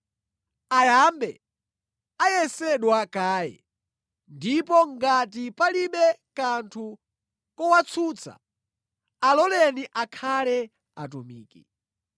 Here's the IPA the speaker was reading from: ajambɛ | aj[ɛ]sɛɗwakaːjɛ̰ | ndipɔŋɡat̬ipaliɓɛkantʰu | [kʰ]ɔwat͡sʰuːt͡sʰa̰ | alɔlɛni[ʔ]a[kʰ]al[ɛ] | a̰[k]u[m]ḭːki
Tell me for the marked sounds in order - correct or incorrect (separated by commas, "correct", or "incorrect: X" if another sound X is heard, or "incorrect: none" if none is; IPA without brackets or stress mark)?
correct, incorrect: k, correct, correct, correct, incorrect: t, correct